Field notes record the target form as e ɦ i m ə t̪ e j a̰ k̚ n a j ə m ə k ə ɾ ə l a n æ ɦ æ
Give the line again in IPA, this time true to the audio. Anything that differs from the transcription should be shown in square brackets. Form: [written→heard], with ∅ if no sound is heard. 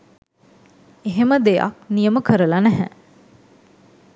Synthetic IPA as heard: e ɦ [i→e] m ə [t̪→d̪] e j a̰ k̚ n [a→i] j ə m ə k ə ɾ ə l a n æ ɦ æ